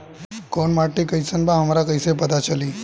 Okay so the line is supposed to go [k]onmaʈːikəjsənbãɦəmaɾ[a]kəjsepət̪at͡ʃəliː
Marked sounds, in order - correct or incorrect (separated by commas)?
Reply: correct, correct